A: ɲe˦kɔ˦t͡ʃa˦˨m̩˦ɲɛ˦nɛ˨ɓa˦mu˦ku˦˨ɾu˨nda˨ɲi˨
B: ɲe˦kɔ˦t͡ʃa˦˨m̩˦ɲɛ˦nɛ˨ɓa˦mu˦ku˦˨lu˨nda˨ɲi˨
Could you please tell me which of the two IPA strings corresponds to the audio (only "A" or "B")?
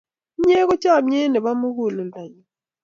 B